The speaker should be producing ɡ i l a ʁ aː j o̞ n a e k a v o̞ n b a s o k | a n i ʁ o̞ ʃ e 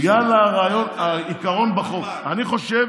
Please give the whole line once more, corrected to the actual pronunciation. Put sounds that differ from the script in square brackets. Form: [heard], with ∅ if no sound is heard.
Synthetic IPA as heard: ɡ [a] l a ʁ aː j o̞ n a [i] k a [ʁ] o̞ n b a [χ] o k | a n i [χ] o̞ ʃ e